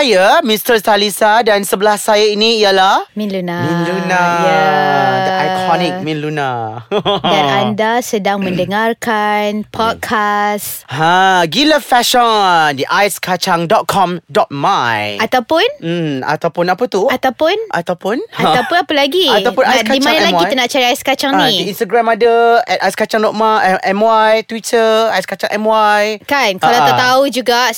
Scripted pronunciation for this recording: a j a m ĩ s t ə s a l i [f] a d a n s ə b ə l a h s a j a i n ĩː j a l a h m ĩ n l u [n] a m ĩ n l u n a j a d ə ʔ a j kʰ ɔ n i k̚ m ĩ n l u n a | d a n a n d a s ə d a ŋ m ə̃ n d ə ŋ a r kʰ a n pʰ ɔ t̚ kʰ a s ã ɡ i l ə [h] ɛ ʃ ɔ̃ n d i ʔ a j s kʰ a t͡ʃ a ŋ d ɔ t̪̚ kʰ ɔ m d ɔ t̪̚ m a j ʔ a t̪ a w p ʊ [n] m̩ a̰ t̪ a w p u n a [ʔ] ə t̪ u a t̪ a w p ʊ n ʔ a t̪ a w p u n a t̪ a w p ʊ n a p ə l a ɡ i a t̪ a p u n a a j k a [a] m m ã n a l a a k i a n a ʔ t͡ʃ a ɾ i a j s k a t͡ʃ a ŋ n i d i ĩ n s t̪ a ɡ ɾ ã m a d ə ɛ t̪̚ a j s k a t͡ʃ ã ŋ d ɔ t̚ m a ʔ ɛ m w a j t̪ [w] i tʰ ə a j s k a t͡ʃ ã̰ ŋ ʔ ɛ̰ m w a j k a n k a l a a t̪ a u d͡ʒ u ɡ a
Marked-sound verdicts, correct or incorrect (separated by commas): incorrect, correct, incorrect, correct, incorrect, incorrect, correct